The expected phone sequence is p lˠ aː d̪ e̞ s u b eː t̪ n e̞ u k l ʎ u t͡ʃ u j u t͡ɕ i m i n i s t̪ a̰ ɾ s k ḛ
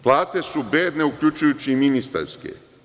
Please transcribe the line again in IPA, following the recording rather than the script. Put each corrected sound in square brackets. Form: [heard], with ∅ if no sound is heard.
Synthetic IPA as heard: p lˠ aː [t̪] e̞ s u b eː [d̪] n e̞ u k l ʎ u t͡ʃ u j u t͡ɕ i m i n i s t̪ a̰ ɾ s k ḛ